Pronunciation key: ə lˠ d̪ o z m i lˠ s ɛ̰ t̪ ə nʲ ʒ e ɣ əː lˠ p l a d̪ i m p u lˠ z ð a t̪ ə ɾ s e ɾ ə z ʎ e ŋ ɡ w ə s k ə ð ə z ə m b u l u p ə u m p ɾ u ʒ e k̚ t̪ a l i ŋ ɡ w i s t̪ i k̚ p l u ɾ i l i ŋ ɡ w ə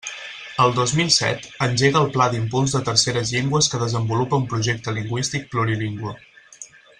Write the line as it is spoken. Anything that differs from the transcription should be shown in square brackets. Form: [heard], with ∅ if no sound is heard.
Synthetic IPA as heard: ə lˠ d̪ o z m i lˠ s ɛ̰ t̪ ə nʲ ʒ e ɣ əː lˠ p l a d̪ i m p u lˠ z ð [ə] t̪ ə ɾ s e ɾ ə z ʎ e ŋ ɡ w ə s k ə ð ə z ə m b u l u p ə u m p ɾ u ʒ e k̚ t̪ [ə] l i ŋ ɡ w i s t̪ i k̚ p l u ɾ i l i ŋ ɡ w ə